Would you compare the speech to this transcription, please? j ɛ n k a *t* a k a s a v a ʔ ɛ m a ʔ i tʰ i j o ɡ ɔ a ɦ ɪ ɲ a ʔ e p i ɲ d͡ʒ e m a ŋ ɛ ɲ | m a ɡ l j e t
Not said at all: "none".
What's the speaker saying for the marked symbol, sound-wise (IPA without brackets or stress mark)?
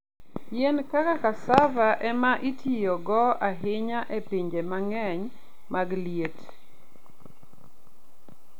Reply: k